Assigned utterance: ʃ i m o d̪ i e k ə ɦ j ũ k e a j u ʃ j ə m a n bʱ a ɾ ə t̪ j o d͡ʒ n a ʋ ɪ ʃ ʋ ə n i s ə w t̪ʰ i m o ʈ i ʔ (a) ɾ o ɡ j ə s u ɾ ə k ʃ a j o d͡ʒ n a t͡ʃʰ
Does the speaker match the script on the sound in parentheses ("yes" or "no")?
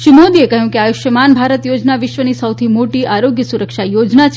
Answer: yes